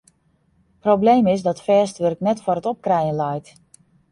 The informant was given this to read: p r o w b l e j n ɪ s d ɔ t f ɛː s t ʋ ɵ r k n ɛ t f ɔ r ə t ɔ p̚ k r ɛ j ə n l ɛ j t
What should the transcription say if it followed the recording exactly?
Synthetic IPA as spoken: p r o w b l e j m ɪ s d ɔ t f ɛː s t ʋ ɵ r k n ɛ t f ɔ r ə t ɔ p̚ k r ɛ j ə n l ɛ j t